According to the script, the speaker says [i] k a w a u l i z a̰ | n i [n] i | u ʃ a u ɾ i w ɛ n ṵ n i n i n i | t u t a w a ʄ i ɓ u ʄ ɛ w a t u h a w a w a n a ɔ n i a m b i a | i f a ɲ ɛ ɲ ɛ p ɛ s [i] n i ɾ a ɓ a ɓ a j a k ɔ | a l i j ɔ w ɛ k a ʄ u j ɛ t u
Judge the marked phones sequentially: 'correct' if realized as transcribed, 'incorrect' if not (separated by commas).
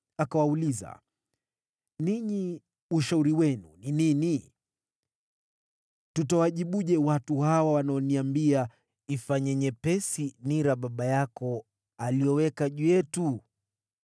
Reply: incorrect, incorrect, correct